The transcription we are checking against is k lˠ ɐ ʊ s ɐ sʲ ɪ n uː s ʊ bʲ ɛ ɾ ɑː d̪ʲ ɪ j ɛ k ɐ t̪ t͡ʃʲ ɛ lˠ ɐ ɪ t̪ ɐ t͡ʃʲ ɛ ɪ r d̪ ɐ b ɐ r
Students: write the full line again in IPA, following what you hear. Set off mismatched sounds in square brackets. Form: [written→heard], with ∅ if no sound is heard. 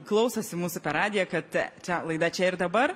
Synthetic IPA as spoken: k lˠ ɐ ʊ s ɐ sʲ ɪ [n→m] uː s ʊ [bʲ→pʲ] ɛ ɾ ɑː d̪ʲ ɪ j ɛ k ɐ t̪ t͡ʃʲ ɛ lˠ ɐ ɪ [t̪→d̪] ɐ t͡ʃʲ ɛ ɪ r d̪ ɐ b ɐ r

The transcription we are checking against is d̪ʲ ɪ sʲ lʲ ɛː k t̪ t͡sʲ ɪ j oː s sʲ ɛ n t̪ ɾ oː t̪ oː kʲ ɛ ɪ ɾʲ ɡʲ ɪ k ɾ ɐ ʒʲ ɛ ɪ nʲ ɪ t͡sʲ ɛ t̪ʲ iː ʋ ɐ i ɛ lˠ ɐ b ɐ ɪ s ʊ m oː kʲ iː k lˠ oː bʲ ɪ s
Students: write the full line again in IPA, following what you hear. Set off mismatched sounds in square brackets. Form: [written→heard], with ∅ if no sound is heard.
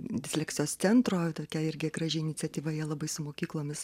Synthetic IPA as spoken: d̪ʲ ɪ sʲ lʲ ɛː k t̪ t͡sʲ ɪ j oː s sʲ ɛ n t̪ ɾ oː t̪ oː kʲ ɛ ɪ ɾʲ ɡʲ ɪ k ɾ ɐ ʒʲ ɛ ɪ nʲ ɪ t͡sʲ ɛ t̪ʲ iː ʋ ɐ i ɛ lˠ ɐ b ɐ ɪ s ʊ m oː kʲ iː k lˠ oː [bʲ→mʲ] ɪ s

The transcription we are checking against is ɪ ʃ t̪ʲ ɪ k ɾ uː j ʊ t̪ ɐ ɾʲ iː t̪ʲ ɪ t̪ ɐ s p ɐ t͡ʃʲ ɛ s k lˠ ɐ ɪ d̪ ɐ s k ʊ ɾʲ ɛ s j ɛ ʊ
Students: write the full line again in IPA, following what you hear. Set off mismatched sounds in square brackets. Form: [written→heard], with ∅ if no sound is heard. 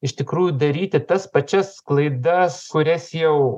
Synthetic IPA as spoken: ɪ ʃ t̪ʲ ɪ k ɾ uː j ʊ [t̪→d̪] ɐ ɾʲ iː t̪ʲ ɪ t̪ ɐ s p ɐ t͡ʃʲ ɛ s k lˠ ɐ ɪ d̪ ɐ s k ʊ ɾʲ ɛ s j ɛ ʊ

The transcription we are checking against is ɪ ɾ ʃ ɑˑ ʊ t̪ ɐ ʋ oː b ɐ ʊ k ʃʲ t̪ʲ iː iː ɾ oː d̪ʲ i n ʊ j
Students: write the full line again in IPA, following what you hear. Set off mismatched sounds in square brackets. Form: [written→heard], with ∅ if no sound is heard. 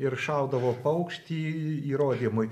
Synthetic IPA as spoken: ɪ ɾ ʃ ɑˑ ʊ [t̪→d̪] ɐ ʋ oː [b→p] ɐ ʊ k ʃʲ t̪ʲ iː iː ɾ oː d̪ʲ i [n→m] ʊ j

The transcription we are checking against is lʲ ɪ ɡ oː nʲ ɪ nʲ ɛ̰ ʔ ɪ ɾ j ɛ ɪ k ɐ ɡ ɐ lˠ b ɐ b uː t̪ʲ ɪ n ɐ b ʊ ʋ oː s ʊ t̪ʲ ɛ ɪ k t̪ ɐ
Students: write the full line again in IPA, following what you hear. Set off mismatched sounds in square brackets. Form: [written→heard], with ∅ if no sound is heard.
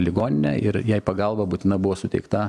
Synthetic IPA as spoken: lʲ ɪ ɡ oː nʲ ɪ nʲ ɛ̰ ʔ ɪ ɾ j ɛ ɪ [k→p] ɐ ɡ ɐ lˠ b ɐ b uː t̪ʲ ɪ n ɐ b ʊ ʋ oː s ʊ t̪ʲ ɛ ɪ k t̪ ɐ

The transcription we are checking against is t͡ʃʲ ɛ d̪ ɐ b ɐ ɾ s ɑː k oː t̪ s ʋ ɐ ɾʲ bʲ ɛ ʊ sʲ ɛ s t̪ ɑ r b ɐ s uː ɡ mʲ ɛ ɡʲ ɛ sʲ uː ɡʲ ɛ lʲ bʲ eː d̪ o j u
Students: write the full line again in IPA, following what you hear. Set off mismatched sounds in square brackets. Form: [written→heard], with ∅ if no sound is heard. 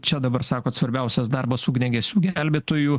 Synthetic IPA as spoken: t͡ʃʲ ɛ d̪ ɐ b ɐ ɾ s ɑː k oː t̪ s ʋ ɐ ɾʲ bʲ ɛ ʊ sʲ ɛ s [t̪→d̪] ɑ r b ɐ s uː ɡ [mʲ→nʲ] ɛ ɡʲ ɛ sʲ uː ɡʲ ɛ lʲ bʲ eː [d̪→t̪] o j u

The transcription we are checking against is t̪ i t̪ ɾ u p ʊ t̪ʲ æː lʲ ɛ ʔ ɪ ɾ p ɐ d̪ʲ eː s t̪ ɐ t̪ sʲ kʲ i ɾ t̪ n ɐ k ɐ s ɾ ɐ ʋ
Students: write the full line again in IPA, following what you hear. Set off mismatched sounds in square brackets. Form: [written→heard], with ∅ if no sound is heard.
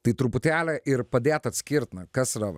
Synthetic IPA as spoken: t̪ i t̪ ɾ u p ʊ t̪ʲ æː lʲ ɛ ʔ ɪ ɾ p ɐ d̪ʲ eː [s→∅] t̪ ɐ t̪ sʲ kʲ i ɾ t̪ n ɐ k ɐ s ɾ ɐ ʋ

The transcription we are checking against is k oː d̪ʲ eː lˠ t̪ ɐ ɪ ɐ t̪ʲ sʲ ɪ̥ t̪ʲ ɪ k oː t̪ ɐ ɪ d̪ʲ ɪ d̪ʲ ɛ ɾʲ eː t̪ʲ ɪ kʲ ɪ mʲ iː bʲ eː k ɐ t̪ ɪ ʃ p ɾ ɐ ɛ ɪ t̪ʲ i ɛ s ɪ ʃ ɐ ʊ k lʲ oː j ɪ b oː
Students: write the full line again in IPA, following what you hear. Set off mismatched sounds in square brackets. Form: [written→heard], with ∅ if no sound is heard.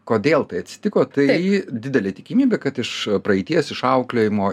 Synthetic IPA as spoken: k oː d̪ʲ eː lˠ t̪ ɐ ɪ ɐ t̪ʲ sʲ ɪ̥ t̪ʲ ɪ k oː t̪ ɐ ɪ d̪ʲ ɪ d̪ʲ ɛ [ɾʲ→lʲ] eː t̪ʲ ɪ kʲ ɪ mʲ iː bʲ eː k ɐ t̪ ɪ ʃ p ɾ ɐ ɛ ɪ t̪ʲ i ɛ s ɪ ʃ ɐ ʊ k lʲ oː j ɪ [b→m] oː

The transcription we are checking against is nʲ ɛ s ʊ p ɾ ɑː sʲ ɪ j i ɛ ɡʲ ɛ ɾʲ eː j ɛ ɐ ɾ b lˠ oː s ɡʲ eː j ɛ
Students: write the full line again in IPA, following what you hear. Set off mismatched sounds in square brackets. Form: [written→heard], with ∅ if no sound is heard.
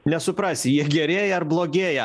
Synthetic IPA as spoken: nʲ ɛ s ʊ p ɾ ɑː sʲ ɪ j i ɛ ɡʲ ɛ ɾʲ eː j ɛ ɐ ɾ b lˠ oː [s→∅] ɡʲ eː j ɛ

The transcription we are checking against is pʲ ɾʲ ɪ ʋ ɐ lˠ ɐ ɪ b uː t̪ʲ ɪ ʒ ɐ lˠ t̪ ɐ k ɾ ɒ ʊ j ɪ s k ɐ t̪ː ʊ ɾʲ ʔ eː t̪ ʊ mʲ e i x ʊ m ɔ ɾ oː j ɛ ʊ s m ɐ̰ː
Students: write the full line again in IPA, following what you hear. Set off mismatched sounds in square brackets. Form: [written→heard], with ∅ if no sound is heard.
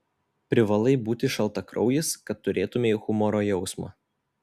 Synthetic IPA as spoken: pʲ ɾʲ ɪ ʋ ɐ lˠ ɐ ɪ b uː t̪ʲ ɪ [ʒ→ʃ] ɐ lˠ t̪ ɐ k ɾ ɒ ʊ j ɪ s k ɐ t̪ː ʊ ɾʲ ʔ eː t̪ ʊ mʲ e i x ʊ m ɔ ɾ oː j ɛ ʊ s m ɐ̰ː

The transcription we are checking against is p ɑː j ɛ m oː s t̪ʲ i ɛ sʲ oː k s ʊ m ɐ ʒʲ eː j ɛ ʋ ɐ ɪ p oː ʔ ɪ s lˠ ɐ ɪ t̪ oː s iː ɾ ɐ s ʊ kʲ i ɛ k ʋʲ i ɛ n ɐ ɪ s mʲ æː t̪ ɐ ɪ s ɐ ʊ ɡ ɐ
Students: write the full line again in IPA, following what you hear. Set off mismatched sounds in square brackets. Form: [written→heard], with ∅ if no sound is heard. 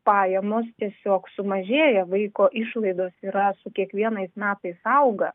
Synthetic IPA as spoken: p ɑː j ɛ m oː s t̪ʲ i ɛ sʲ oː k s ʊ m ɐ ʒʲ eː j ɛ ʋ ɐ ɪ [p→k] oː ʔ ɪ [s→ʃ] lˠ ɐ ɪ [t̪→d̪] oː s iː ɾ ɐ s ʊ kʲ i ɛ k ʋʲ i ɛ n ɐ ɪ s mʲ æː t̪ ɐ ɪ s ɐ ʊ ɡ ɐ

